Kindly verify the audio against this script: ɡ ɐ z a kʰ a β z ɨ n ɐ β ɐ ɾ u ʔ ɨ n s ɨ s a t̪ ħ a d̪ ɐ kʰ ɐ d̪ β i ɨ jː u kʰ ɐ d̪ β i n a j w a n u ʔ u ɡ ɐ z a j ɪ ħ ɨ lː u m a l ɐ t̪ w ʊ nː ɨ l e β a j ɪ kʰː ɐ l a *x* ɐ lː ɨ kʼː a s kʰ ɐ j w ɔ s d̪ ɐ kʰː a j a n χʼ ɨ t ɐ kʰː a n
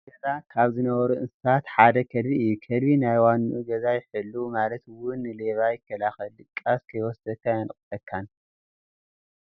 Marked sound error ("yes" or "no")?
no